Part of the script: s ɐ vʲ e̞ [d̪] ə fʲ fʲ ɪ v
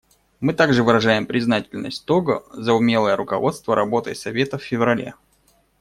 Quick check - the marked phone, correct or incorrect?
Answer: incorrect